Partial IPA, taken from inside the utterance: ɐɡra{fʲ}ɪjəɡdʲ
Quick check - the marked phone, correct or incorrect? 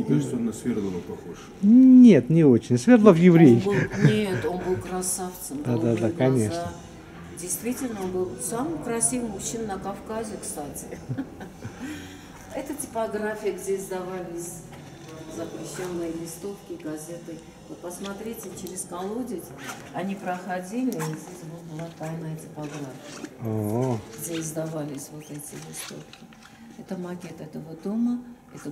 correct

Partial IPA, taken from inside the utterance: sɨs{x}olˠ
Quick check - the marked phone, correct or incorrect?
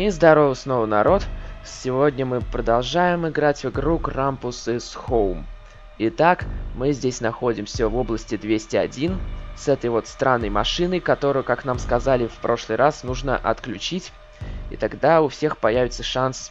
correct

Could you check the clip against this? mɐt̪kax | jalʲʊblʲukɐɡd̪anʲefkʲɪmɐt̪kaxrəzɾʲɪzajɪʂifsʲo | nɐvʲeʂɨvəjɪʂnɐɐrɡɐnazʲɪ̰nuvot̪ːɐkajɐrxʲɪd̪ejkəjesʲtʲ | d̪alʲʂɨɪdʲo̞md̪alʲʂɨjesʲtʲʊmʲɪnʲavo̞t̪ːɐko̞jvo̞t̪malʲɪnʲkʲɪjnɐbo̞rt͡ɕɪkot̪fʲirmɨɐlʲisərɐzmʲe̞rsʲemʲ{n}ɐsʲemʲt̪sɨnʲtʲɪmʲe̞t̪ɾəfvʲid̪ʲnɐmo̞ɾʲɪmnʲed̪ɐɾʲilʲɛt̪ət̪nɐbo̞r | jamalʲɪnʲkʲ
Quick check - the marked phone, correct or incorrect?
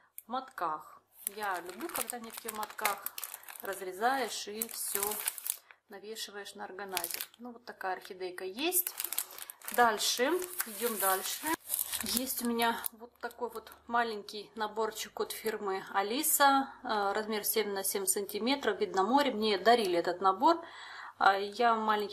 correct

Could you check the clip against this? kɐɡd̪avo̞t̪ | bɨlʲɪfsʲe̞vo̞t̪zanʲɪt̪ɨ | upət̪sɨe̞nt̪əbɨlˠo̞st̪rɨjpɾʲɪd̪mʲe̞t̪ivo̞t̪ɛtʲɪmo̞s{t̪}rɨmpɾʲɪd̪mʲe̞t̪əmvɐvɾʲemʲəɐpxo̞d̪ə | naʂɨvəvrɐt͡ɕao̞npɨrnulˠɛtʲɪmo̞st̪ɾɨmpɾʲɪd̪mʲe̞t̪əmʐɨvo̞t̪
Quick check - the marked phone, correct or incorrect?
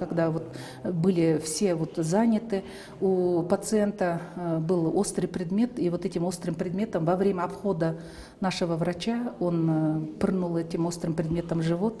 correct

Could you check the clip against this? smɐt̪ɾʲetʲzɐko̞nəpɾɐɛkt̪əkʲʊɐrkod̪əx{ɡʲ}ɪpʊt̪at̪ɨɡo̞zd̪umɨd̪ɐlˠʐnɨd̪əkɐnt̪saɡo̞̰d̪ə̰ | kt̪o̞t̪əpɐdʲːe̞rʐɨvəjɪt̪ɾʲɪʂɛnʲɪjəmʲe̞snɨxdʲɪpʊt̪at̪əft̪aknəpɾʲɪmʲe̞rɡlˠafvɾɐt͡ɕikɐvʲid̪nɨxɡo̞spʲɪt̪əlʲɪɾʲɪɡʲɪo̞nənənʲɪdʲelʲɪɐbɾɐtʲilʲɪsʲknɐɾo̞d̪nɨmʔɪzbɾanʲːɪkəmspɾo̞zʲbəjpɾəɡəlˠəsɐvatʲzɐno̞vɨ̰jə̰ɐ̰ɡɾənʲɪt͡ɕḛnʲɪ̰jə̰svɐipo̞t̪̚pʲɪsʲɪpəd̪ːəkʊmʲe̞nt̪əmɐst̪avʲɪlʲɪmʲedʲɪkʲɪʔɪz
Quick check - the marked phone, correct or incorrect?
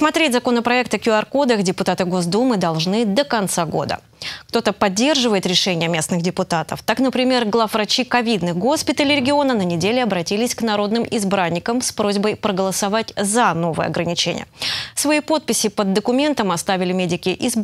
incorrect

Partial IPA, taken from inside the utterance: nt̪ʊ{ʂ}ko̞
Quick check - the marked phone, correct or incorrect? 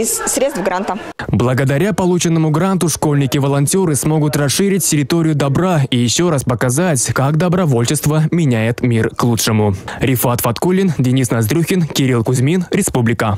correct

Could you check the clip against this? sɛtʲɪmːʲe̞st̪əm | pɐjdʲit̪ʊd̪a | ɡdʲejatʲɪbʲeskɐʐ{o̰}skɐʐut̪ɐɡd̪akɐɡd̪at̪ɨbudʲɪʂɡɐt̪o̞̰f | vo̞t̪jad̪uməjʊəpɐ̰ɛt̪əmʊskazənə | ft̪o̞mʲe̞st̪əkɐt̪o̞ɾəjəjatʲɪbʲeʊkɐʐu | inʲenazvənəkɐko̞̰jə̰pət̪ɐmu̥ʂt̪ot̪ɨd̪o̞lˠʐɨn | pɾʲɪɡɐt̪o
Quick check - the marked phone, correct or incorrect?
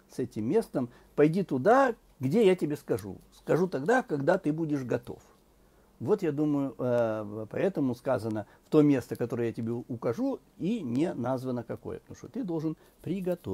incorrect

